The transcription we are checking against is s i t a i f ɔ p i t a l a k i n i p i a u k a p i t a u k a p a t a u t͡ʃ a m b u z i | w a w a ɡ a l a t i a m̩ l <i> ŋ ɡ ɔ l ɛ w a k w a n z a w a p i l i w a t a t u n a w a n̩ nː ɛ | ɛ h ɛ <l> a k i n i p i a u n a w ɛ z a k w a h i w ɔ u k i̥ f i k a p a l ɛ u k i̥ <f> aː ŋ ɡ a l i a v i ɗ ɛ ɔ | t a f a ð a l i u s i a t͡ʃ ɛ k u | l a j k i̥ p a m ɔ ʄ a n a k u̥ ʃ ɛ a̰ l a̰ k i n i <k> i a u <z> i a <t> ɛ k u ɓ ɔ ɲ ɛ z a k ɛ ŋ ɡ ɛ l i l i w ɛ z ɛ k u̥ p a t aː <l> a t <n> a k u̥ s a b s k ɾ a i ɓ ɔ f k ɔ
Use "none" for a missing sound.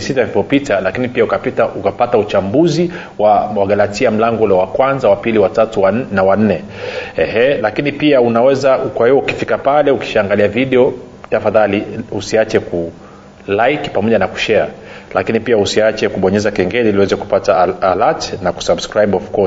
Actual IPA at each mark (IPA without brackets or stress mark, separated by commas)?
a, l, ʃ, p, s, t͡ʃ, l, n